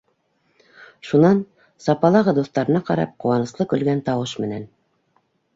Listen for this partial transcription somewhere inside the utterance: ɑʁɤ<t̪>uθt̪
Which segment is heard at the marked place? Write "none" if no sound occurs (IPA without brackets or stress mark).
d̪